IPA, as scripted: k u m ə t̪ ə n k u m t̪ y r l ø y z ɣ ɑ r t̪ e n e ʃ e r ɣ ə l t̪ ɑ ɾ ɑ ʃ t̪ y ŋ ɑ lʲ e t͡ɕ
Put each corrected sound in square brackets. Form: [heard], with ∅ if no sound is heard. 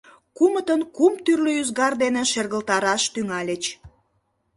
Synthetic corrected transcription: k u m ə t̪ ə n k u m t̪ y r l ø y z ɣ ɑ r [d̪] e n e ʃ e r ɣ ə l t̪ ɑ ɾ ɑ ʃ t̪ y ŋ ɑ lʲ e t͡ɕ